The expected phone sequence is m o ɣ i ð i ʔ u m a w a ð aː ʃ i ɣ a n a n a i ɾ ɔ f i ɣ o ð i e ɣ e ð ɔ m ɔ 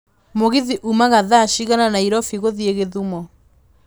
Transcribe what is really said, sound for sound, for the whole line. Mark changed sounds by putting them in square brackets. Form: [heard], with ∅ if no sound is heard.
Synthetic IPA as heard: m o ɣ i ð i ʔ u m a [ɣ] a ð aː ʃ i ɣ a n a n a i ɾ ɔ f i ɣ o ð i e ɣ e ð [u] m ɔ